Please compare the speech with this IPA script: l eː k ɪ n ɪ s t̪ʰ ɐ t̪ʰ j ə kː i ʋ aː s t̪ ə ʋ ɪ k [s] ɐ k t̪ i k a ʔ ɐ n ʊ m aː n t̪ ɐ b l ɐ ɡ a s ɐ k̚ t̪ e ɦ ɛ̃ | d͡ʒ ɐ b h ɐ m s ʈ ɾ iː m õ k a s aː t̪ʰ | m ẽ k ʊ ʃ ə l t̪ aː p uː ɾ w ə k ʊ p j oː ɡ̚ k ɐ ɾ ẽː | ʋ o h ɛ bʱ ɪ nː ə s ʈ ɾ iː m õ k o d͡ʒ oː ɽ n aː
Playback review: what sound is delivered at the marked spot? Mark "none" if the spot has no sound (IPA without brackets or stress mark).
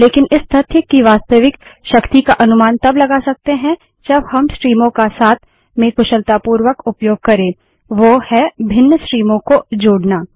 ʃ